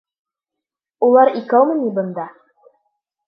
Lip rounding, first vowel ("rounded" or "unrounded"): rounded